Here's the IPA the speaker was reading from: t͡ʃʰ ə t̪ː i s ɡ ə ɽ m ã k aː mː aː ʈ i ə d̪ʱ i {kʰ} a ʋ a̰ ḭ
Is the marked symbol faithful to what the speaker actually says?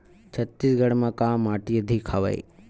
yes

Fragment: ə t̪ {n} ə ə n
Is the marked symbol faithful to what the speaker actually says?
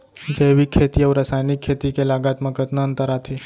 yes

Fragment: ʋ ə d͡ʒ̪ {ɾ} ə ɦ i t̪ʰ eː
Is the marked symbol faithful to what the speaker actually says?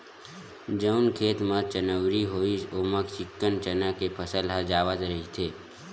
yes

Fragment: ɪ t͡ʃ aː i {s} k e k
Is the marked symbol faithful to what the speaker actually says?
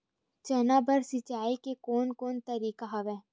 no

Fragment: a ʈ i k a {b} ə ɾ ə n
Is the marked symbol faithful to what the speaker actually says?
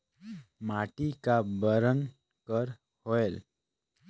yes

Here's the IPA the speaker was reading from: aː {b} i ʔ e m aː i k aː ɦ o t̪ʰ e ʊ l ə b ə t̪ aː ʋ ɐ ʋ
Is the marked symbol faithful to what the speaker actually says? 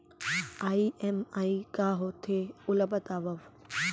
no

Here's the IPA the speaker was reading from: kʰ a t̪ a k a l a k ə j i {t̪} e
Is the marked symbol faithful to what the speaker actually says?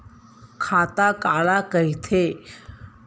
no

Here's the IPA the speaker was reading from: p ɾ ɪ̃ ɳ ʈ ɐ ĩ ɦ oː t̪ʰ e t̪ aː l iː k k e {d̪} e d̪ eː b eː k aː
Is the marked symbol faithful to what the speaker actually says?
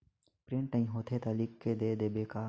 yes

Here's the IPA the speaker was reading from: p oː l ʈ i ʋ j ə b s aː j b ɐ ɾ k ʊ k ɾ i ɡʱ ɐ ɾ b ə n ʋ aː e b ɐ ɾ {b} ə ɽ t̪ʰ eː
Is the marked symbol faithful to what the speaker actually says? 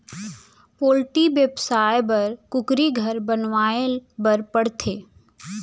no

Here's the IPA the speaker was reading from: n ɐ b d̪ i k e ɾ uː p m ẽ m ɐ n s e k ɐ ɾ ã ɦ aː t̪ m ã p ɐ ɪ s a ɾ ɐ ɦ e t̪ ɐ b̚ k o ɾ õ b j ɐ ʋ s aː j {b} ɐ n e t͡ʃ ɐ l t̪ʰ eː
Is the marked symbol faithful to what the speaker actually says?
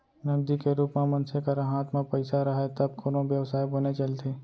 yes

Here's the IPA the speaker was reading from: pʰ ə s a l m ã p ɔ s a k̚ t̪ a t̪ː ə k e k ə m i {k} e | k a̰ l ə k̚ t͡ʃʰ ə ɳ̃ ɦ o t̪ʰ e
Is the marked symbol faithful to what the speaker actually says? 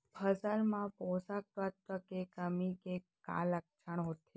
yes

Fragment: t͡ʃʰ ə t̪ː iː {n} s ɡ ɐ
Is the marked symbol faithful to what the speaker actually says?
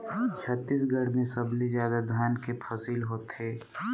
no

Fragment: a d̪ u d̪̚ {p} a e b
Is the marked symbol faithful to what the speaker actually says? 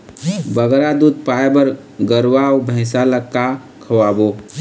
yes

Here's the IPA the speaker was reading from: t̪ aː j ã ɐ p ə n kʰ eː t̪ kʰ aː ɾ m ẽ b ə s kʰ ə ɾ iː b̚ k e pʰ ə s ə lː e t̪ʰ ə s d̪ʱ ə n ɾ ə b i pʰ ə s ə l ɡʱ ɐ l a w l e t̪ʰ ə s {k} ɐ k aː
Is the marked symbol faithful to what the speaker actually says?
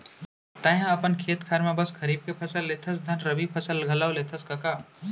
yes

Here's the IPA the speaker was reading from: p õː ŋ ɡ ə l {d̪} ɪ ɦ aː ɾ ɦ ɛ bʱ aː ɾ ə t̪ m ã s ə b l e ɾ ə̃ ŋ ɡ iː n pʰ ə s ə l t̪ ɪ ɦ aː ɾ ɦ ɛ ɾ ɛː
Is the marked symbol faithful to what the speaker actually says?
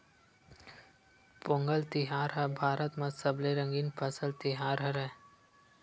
no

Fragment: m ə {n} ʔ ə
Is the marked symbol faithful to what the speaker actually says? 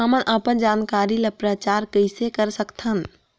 yes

